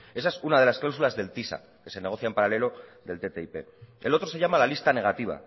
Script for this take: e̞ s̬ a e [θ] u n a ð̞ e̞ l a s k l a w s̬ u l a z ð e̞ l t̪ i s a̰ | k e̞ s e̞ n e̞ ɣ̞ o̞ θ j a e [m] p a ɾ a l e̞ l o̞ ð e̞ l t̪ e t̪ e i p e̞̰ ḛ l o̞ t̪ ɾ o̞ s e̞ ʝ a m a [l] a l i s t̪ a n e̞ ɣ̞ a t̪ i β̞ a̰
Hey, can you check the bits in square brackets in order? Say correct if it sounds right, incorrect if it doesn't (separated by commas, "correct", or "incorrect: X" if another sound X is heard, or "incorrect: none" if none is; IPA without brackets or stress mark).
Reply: incorrect: s, correct, correct